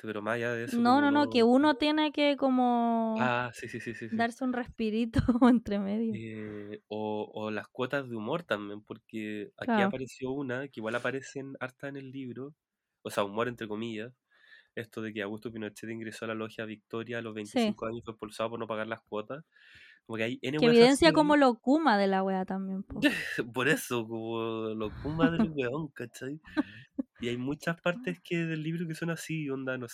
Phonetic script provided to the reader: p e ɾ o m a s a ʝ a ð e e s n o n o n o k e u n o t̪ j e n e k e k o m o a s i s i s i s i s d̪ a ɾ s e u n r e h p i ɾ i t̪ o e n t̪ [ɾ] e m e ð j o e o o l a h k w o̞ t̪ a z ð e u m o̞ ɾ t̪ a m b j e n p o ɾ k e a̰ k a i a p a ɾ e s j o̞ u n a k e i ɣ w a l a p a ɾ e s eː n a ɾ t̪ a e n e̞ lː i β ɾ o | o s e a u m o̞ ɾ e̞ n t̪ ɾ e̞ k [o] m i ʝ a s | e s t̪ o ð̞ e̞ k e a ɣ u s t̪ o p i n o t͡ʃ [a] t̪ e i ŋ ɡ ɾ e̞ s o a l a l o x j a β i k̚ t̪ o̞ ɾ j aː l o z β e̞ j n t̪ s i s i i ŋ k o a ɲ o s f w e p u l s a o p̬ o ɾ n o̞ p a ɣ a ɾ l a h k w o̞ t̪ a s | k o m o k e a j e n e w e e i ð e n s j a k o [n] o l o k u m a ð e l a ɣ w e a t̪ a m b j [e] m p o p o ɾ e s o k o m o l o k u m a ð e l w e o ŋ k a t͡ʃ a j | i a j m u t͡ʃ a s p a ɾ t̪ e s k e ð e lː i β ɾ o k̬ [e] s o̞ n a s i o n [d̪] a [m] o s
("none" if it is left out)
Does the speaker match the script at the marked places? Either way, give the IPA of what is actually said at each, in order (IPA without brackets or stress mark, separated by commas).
ɾ, o, e, m, e, e, d̪, n